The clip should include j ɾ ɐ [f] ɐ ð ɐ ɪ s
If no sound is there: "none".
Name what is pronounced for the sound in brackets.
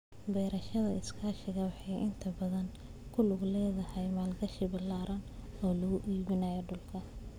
ʃ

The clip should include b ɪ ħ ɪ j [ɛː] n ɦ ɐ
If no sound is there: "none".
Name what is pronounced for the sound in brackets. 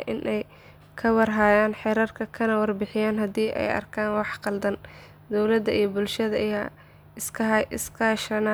aː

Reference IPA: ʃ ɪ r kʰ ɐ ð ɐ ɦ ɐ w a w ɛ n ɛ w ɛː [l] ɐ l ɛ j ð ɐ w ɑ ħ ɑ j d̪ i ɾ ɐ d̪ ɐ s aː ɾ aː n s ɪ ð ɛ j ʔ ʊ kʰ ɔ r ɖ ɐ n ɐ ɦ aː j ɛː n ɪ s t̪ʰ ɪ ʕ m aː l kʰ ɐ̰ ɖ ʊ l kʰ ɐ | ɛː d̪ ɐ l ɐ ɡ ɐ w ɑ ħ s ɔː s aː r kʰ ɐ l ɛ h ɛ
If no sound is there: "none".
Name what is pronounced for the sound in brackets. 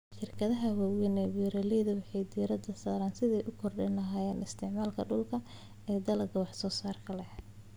ɾ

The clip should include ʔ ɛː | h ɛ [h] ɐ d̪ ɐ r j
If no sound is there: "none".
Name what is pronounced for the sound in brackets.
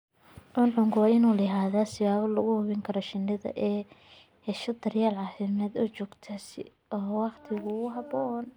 ʃ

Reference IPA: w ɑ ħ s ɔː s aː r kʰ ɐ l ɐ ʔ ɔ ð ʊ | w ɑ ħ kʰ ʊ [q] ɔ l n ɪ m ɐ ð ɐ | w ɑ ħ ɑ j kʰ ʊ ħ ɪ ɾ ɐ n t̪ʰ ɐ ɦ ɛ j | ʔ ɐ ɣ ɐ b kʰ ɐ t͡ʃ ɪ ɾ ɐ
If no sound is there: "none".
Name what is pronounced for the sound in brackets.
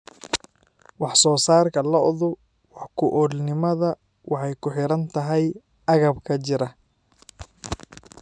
ʔ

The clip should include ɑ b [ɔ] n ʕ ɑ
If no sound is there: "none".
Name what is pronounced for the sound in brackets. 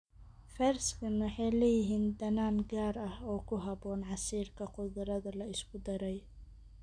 ɔː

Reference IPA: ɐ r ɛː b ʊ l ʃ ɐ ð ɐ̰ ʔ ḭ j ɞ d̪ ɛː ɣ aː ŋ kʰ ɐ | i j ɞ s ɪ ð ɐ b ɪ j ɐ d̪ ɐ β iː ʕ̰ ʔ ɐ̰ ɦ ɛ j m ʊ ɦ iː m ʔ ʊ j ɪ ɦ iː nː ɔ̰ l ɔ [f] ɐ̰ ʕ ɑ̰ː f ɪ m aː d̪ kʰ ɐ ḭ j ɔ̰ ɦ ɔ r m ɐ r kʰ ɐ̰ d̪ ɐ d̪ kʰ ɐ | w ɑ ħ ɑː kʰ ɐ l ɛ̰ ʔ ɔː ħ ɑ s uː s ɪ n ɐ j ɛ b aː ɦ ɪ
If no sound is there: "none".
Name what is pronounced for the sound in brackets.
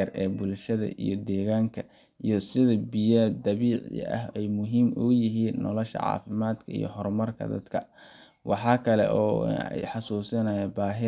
ʃ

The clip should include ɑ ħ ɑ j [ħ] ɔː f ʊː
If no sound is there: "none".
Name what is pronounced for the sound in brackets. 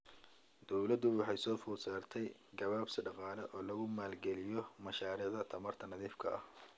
s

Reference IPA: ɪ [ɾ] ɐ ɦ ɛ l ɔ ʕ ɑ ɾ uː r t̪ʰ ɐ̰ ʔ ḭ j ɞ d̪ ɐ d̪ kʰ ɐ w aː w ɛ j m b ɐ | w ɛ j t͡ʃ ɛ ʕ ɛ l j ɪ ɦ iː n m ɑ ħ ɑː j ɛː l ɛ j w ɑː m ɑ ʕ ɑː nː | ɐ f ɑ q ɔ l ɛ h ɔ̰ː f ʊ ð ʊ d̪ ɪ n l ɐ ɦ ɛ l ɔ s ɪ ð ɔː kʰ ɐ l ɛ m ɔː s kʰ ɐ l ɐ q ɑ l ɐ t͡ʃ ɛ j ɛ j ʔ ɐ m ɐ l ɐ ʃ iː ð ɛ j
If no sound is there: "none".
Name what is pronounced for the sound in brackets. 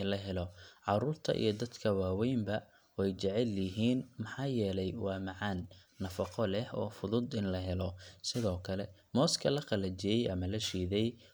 l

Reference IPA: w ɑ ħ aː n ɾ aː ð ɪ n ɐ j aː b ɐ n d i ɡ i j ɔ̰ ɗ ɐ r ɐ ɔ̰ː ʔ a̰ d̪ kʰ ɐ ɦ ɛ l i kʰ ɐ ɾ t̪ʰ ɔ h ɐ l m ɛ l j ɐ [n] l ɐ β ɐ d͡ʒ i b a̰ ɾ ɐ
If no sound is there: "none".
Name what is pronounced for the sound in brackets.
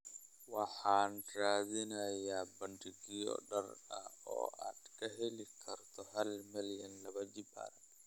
n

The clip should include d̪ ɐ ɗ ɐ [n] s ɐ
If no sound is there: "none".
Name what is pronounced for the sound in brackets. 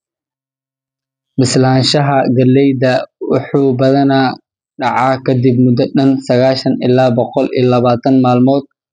n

